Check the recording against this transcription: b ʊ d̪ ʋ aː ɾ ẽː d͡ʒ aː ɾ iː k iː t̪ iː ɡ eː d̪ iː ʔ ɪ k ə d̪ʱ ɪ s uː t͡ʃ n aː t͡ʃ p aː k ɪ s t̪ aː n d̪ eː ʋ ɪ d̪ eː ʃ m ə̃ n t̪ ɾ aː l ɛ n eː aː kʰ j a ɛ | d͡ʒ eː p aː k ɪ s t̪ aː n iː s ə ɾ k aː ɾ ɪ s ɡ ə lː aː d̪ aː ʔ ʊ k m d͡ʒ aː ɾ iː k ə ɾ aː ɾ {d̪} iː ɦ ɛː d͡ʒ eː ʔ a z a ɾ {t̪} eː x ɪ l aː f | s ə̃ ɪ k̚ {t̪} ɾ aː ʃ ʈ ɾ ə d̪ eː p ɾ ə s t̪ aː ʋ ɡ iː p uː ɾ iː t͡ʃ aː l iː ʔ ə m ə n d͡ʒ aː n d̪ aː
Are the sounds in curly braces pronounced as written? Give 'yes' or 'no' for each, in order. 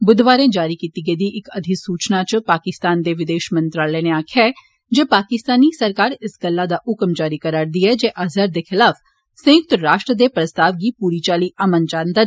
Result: yes, no, yes

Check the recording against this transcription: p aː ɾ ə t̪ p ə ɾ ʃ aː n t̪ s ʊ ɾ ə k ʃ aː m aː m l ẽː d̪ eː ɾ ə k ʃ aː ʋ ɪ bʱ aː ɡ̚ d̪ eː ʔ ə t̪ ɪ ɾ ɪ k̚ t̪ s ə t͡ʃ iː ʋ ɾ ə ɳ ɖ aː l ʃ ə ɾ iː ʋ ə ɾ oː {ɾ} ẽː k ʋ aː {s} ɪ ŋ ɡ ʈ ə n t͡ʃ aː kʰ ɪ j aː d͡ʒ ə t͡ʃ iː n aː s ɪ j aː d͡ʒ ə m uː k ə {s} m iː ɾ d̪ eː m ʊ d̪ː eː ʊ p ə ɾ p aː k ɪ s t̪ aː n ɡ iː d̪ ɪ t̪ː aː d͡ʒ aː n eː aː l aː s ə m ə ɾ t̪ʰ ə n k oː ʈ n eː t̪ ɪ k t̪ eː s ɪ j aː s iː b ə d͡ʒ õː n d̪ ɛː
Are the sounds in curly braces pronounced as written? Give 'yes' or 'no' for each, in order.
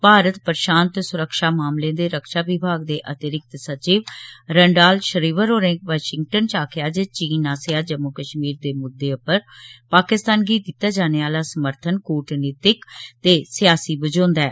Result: yes, no, no

